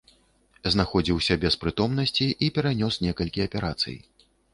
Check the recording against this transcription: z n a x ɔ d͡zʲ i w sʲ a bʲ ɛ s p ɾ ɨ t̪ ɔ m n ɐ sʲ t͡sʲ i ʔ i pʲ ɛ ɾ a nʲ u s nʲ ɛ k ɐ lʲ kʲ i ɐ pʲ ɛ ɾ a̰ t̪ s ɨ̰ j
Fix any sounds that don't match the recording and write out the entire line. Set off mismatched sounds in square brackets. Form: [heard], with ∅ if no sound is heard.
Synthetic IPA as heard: z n a x ɔ d͡zʲ i w sʲ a bʲ ɛ s p ɾ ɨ t̪ ɔ m n ɐ sʲ t͡sʲ i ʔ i pʲ ɛ ɾ a nʲ [ɔ] s nʲ ɛ k ɐ lʲ kʲ i ɐ pʲ ɛ ɾ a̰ t̪ s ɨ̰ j